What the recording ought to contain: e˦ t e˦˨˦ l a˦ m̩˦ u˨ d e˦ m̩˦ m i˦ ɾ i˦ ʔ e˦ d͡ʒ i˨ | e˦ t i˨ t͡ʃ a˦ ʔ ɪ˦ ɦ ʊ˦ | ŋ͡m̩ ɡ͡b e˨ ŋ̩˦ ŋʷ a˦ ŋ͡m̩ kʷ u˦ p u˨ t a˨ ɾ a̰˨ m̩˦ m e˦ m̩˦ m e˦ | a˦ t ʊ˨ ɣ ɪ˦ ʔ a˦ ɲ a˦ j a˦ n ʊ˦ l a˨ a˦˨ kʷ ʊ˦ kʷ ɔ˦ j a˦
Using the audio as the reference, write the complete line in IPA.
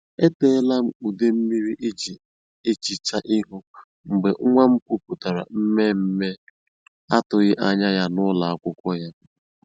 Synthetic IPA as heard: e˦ t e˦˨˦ l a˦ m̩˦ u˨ d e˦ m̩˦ m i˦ ɾ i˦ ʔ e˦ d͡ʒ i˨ | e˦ t͡ʃ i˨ t͡ʃ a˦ ʔ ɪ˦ ɦ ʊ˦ | ŋ͡m̩ ɡ͡b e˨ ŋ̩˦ ŋʷ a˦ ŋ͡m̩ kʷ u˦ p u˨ t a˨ ɾ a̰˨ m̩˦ m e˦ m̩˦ m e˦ | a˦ t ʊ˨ ɣ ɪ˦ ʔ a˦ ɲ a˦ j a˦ n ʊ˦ l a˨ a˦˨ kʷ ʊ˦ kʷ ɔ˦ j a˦